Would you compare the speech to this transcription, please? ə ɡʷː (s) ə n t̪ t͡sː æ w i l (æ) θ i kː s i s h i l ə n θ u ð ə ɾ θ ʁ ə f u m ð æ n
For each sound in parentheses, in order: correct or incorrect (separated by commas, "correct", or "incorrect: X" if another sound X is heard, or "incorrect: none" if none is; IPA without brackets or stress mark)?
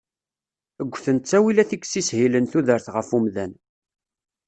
incorrect: θ, correct